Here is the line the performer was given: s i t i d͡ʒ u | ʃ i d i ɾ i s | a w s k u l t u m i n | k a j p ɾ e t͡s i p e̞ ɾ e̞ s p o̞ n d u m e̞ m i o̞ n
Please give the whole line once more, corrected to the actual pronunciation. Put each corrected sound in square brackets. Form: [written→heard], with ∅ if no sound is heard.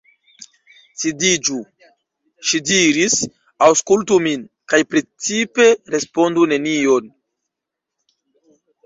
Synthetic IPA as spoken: s i [t→d] i d͡ʒ u | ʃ i d i ɾ i s | a w s k u l t u m i n | k a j p ɾ e t͡s i p e̞ ɾ e̞ s p o̞ n d u [m→n] e̞ [m→n] i o̞ n